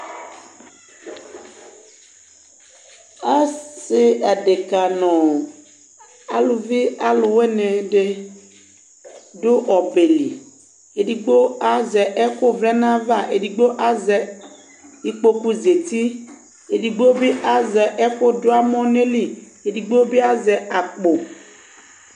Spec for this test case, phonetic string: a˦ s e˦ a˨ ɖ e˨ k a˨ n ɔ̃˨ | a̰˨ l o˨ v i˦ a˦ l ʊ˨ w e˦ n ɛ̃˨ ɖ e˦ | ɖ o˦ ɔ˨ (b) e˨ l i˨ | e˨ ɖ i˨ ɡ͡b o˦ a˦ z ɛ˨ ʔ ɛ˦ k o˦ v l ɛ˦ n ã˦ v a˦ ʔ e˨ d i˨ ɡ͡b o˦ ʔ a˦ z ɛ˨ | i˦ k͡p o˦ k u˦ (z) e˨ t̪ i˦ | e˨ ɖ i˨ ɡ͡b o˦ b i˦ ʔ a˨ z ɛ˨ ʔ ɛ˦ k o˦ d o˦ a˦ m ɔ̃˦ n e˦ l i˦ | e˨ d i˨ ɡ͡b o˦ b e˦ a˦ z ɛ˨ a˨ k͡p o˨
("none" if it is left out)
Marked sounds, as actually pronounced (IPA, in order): b, z

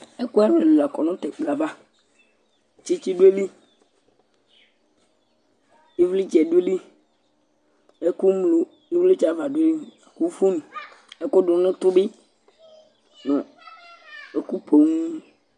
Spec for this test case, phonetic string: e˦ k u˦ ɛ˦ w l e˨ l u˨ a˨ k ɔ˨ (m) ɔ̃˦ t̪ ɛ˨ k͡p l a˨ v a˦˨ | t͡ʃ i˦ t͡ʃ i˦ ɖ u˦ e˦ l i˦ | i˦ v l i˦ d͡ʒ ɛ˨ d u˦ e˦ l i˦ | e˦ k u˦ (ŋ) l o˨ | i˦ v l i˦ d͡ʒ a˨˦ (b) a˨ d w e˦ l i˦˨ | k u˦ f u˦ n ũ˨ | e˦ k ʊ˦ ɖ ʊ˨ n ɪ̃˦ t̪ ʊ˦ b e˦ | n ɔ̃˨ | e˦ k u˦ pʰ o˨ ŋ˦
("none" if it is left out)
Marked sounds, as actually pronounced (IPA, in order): n, m, v

